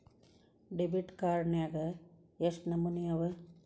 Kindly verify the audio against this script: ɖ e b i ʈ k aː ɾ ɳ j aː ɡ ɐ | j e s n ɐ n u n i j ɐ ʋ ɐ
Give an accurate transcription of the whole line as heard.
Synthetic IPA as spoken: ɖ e b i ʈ k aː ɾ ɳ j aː ɡ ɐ | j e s n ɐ m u n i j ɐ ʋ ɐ